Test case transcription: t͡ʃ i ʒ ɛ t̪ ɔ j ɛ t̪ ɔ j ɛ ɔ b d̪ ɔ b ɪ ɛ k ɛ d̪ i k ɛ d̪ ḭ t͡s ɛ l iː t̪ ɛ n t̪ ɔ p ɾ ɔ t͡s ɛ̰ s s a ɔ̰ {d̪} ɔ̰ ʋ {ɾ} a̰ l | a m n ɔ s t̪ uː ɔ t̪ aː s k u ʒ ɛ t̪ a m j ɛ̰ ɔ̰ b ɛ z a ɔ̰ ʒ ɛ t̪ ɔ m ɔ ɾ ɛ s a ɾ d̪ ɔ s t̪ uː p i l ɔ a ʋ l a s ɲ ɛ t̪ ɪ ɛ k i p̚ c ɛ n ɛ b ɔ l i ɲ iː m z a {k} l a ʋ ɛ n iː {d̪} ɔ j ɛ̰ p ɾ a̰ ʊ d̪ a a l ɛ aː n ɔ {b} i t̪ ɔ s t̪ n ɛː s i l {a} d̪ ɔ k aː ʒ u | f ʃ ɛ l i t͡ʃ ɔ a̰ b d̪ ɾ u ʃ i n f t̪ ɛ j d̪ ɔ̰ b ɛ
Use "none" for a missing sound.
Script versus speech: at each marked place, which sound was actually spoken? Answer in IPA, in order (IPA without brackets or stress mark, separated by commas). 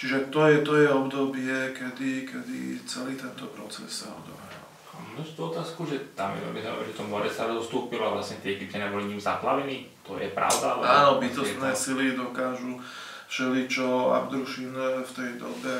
d̪, ɾ, p, t̪, b, i